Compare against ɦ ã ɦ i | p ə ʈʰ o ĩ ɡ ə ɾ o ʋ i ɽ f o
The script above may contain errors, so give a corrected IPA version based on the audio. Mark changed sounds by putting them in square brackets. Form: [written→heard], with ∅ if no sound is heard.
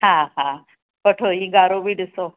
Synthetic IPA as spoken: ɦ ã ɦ [i→a] | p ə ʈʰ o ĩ ɡ [ə→a] ɾ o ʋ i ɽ [f→s] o